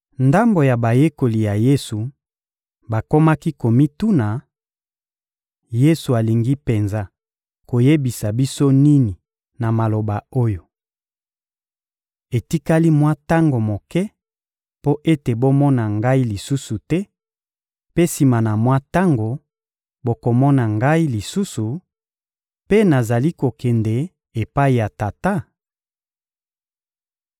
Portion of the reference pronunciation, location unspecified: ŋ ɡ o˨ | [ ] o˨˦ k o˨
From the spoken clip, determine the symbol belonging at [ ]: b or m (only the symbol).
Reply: b